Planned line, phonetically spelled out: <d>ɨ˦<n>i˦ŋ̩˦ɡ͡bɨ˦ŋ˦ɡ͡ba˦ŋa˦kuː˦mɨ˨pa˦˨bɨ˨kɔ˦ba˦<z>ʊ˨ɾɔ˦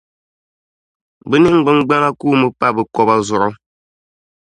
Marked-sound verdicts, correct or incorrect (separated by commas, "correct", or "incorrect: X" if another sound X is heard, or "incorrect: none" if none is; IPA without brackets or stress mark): incorrect: b, correct, correct